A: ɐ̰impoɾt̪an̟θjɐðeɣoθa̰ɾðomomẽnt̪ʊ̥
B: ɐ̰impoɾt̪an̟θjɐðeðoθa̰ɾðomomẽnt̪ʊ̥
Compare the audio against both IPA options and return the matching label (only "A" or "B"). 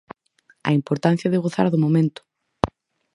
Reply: A